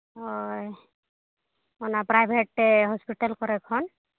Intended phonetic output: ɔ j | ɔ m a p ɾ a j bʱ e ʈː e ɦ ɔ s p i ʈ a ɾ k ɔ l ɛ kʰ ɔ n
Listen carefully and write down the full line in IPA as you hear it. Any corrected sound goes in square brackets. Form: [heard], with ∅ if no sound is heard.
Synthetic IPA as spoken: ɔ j | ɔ [n] a p ɾ a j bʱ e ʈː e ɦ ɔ s p i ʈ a [l] k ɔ [ɾ] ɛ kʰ ɔ n